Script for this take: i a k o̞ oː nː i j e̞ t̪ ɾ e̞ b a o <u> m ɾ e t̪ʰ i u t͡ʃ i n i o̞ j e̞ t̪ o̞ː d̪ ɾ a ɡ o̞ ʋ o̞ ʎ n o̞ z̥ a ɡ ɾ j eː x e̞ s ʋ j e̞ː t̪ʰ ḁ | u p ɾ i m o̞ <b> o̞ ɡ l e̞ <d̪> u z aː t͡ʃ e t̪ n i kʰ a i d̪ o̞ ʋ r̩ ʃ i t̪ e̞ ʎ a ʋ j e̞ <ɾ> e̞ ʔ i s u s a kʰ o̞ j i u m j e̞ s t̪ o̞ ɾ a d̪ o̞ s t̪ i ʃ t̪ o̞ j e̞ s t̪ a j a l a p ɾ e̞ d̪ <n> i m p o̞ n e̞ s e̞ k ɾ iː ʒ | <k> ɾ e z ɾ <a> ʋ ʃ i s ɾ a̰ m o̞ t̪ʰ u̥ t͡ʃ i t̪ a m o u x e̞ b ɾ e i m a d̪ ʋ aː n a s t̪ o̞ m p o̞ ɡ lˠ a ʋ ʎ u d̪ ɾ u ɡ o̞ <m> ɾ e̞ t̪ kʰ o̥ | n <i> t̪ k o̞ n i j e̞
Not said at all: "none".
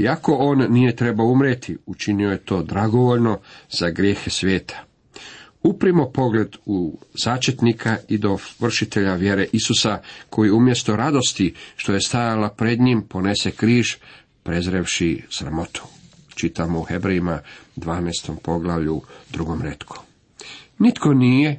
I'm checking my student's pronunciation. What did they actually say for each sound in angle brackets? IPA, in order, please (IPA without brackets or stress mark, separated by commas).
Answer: u, p, d̪, ɾ, ɲ, p, e, m, i